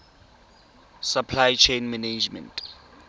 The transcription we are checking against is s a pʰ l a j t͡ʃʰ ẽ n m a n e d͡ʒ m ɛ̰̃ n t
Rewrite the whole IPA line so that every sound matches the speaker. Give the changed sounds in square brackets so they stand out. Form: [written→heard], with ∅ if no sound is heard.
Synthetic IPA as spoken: s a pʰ l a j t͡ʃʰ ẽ n m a n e d͡ʒ m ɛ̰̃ n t